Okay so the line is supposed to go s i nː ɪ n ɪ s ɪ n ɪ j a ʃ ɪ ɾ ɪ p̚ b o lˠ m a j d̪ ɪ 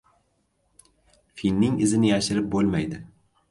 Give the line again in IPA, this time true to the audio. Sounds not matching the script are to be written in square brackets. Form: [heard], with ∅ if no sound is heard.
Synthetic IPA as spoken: [f] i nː ɪ [ŋ] ɪ [z] ɪ n ɪ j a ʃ ɪ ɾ ɪ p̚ b o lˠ m a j d̪ ɪ